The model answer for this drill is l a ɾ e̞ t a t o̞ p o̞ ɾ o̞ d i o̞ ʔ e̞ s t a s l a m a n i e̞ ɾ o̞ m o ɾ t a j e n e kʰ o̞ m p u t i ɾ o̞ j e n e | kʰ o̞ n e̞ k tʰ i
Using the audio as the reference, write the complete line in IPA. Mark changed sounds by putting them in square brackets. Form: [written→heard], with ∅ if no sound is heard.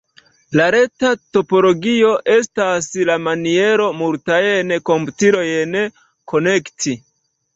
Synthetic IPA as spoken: l a ɾ e̞ t a t o̞ p o̞ [ɾ→l] o̞ [d→ɡ] i o̞ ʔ e̞ s t a s l a m a n i e̞ ɾ o̞ m [o→u] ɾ t a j e n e [kʰ→k] o̞ m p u t i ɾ o̞ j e n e | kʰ o̞ n e̞ k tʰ i